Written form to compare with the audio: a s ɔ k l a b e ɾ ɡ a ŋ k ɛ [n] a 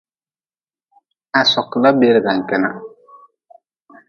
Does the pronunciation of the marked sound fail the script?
no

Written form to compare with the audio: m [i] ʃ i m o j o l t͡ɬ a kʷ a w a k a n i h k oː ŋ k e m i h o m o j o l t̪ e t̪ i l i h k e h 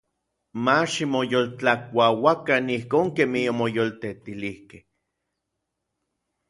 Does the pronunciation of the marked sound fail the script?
yes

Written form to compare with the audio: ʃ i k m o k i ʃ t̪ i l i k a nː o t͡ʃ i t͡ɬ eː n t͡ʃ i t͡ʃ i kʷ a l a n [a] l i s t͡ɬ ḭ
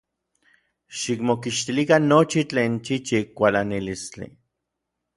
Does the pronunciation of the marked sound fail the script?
yes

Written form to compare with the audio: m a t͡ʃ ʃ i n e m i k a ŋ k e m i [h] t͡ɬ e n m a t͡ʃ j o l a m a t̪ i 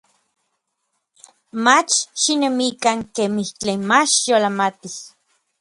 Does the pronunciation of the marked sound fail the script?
no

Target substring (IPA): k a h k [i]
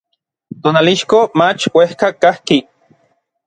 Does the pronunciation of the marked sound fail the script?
no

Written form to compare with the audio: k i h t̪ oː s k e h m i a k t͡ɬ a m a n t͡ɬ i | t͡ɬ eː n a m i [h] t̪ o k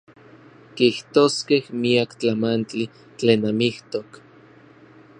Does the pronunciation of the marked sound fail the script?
no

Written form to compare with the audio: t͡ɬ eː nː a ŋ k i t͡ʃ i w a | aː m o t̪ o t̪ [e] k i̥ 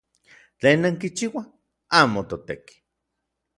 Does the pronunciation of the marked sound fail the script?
no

